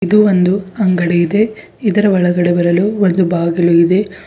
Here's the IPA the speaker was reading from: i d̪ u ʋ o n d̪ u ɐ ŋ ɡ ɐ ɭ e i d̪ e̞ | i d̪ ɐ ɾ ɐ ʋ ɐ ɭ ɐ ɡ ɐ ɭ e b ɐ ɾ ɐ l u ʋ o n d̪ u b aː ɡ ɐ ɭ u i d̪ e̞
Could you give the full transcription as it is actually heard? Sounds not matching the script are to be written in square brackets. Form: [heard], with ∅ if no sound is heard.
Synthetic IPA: i d̪ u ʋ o n d̪ u ɐ ŋ ɡ ɐ [ɽ] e i d̪ e̞ | i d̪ ɐ ɾ ɐ ʋ ɐ ɭ ɐ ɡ ɐ [ɽ] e b ɐ ɾ ɐ l u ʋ o n d̪ u b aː ɡ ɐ [l] u i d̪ e̞